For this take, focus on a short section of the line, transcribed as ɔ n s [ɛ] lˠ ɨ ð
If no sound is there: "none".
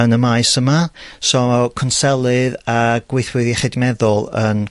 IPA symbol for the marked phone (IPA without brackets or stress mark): ɛ